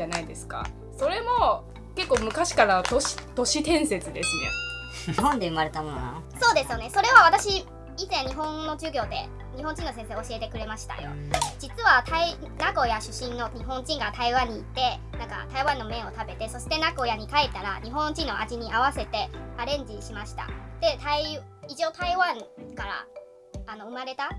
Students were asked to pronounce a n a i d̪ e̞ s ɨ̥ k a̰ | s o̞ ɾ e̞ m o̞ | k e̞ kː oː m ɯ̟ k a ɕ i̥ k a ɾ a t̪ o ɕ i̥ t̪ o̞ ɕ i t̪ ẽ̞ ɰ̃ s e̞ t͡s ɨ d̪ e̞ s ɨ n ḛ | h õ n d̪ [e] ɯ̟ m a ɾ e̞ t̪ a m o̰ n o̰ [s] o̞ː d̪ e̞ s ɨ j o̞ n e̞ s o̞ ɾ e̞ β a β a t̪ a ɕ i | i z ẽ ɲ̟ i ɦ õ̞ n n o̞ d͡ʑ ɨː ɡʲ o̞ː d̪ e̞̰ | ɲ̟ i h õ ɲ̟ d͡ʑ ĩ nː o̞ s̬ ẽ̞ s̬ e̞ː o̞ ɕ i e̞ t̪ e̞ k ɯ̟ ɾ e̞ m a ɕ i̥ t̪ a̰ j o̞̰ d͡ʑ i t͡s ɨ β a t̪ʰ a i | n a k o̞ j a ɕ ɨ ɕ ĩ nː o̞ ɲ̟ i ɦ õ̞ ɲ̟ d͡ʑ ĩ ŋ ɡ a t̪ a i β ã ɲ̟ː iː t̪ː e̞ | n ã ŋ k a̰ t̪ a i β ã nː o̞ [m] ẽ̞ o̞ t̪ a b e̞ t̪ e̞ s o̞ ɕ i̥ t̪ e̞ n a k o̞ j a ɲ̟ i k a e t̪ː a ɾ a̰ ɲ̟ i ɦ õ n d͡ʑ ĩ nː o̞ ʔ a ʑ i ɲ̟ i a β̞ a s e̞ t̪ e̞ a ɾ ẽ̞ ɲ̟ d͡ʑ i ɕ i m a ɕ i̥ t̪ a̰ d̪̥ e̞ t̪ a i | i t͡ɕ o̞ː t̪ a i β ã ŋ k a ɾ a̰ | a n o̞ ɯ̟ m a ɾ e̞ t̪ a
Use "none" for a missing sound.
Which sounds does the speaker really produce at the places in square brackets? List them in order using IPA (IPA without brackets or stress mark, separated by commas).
e, s, m